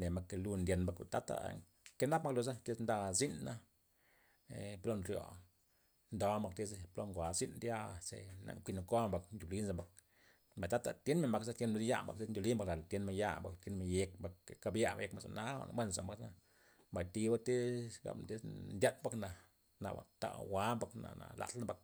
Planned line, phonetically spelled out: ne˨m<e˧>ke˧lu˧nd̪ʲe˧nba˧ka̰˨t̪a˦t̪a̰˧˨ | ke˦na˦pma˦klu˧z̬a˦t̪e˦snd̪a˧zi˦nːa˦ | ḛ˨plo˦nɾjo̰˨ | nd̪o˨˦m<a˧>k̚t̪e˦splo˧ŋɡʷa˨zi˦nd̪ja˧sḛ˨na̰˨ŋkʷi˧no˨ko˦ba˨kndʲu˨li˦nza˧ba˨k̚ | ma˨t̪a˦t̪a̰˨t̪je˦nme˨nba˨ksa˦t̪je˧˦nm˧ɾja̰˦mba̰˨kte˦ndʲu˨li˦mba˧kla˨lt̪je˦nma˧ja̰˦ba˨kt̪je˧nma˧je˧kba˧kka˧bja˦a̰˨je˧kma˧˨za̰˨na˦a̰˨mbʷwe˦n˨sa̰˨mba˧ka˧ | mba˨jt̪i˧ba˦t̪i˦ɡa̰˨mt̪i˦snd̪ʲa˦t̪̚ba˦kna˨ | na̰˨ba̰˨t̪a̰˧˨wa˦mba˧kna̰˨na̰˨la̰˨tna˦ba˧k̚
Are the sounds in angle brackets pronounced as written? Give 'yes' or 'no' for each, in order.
no, yes

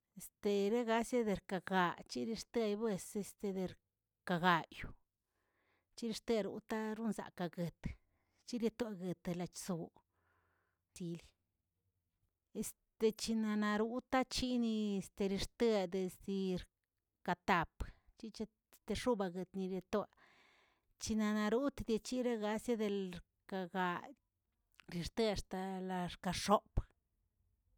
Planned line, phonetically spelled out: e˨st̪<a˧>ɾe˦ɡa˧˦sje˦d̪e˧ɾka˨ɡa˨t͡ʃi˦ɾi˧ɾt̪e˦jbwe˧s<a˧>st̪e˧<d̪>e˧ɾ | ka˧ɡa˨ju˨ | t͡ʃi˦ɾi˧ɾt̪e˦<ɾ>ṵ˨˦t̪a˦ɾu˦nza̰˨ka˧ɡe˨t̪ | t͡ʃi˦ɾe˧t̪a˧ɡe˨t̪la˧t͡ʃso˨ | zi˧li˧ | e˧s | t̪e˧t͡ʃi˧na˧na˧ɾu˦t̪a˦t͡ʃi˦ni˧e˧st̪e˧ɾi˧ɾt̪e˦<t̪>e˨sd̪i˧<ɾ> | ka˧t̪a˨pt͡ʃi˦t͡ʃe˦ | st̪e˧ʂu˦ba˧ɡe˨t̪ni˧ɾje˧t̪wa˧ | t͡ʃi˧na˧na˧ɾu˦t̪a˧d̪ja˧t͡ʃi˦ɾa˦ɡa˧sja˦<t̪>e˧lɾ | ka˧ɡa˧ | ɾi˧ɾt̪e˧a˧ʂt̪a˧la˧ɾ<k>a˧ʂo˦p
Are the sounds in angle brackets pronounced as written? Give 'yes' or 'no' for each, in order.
no, no, yes, yes, no, yes, no, yes

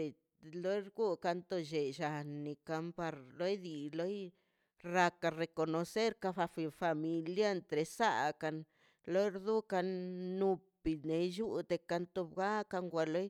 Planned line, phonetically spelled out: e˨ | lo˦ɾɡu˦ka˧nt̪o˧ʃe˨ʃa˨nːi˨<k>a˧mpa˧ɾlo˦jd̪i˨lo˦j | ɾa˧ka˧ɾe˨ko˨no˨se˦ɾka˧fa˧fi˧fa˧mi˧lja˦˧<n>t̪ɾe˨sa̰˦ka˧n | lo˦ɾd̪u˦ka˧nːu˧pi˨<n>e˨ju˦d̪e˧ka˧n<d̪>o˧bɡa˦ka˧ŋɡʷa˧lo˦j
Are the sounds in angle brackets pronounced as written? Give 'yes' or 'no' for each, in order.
yes, yes, yes, no

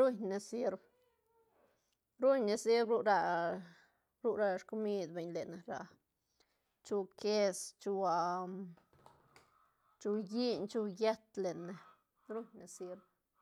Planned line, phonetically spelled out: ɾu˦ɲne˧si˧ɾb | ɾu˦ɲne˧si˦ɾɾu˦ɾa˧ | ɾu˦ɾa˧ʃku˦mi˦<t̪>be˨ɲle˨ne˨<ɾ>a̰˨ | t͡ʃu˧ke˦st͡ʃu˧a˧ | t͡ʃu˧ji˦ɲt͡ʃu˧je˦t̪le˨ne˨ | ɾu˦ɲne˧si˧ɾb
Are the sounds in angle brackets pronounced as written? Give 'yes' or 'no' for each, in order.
no, yes

